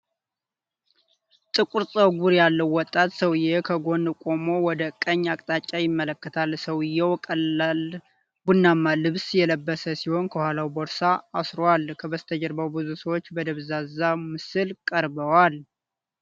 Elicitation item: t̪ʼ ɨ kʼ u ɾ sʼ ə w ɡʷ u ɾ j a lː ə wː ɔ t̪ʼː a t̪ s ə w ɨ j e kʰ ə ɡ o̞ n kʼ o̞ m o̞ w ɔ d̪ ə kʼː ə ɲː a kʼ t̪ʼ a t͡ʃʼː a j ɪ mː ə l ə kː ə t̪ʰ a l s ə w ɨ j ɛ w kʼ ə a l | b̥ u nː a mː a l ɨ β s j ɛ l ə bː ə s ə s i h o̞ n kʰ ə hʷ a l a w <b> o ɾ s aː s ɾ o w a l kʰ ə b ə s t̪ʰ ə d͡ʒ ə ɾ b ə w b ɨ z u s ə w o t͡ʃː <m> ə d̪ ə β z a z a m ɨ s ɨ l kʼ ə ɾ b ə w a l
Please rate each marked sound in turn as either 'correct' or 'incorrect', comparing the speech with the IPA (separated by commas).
correct, incorrect